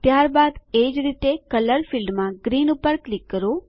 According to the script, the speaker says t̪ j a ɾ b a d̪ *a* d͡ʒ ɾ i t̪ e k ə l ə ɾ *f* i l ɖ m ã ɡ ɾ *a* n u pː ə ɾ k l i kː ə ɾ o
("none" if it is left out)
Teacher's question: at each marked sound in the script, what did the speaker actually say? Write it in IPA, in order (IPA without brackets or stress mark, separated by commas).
e, f, i